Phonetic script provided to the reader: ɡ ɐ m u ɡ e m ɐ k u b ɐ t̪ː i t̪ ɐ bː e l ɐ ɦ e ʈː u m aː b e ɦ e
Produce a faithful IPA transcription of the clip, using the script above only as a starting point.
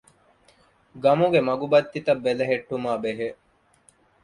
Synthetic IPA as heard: ɡ ɐ m u ɡ e m ɐ ɡ u b ɐ t̪ː i t̪ ɐ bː e l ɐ ɦ e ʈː u m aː b e ɦ e